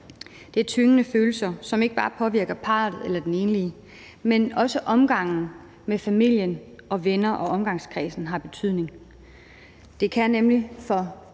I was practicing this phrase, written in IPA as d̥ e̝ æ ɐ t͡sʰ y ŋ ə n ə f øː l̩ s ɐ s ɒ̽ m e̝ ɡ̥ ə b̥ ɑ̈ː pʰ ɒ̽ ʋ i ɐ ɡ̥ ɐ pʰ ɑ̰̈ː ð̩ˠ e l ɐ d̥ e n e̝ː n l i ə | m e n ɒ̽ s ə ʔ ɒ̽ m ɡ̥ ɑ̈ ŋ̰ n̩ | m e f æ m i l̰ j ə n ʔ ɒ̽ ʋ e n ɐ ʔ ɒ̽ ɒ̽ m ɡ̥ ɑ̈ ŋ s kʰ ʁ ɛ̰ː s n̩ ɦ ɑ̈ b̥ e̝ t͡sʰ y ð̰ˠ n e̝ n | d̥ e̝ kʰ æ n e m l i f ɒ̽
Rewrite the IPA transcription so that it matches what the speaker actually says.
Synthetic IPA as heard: d̥ e̝ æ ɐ t͡sʰ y ŋ ə n ə f øː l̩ s ɐ s ɒ̽ m e̝ ɡ̥ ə b̥ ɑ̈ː pʰ ɒ̽ ʋ i ɐ ɡ̥ ɐ pʰ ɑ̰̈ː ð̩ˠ e l ɐ d̥ e n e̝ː n l i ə | m e n ɒ̽ s ə ʔ ɒ̽ m ɡ̥ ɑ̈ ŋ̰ n̩ | m e f æ m i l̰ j ə n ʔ ɒ̽ ʋ e n ɐ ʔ ɒ̽ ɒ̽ m ɡ̥ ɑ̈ ŋ s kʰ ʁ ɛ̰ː s n̩ ɦ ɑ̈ b̥ e̝ t͡sʰ y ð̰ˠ n e̝ ŋ | d̥ e̝ kʰ æ n e m l i f ɒ̽